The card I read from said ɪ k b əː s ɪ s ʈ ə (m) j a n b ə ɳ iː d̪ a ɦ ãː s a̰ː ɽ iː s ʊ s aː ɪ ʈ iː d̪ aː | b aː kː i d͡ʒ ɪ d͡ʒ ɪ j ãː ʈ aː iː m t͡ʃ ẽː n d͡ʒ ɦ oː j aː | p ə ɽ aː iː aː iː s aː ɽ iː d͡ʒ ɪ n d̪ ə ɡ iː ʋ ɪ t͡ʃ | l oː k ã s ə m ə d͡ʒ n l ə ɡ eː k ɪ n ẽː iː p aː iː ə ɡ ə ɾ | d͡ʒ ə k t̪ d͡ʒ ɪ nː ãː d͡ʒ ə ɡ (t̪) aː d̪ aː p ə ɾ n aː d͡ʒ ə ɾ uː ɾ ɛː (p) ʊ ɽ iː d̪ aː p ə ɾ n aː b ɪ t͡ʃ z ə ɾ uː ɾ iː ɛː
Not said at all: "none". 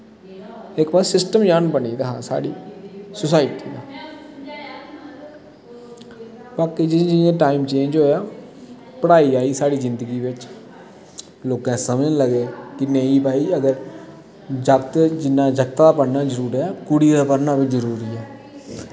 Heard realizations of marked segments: m, t̪, k

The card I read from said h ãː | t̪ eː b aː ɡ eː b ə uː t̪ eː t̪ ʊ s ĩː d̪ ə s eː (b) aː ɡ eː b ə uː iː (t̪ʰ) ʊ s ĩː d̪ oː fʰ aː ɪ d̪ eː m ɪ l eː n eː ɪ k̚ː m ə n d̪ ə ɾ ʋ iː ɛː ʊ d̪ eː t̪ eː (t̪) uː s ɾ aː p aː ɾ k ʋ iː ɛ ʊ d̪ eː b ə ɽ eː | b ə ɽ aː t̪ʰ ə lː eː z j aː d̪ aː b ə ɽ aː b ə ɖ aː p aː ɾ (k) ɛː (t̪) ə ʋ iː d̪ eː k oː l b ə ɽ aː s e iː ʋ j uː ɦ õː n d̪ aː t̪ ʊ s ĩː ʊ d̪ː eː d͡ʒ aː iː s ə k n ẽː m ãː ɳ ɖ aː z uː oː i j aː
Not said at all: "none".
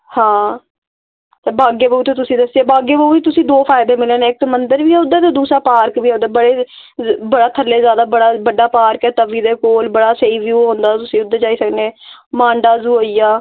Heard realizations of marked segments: b, t̪, d̪, k, t̪

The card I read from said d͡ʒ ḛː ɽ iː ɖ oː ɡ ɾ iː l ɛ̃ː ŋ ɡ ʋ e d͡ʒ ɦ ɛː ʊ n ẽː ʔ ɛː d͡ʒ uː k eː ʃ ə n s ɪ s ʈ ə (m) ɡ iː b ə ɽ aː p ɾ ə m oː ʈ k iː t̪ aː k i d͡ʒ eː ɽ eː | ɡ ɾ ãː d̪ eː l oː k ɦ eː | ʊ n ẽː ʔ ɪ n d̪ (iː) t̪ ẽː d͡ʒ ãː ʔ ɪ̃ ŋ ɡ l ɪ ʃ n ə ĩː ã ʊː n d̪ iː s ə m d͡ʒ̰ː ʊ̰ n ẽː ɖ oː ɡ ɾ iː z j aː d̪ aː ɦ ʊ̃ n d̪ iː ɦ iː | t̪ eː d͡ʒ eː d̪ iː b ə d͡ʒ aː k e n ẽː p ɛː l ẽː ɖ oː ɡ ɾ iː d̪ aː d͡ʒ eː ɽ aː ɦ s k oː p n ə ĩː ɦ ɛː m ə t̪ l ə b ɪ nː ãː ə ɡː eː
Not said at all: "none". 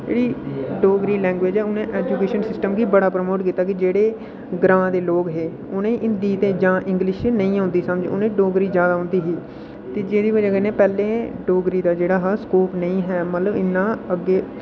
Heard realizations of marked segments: m, iː

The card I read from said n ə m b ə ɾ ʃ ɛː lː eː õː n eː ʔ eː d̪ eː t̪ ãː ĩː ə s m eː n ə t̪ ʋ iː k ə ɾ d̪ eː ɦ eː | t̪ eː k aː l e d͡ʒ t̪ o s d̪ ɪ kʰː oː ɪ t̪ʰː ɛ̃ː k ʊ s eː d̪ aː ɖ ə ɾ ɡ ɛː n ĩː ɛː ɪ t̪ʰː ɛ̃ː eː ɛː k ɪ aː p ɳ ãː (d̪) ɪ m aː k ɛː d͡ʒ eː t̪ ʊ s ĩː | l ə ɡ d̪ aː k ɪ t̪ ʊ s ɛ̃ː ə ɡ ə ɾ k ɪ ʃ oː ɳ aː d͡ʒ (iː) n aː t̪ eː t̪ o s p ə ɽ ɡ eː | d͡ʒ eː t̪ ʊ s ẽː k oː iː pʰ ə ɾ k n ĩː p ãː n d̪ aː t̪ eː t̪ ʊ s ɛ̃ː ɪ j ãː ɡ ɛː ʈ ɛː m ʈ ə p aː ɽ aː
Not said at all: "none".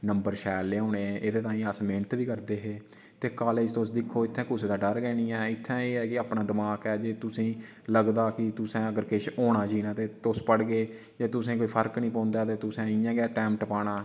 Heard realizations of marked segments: d̪, iː

